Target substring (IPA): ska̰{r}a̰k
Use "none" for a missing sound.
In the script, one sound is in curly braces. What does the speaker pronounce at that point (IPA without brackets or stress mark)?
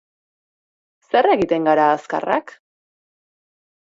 r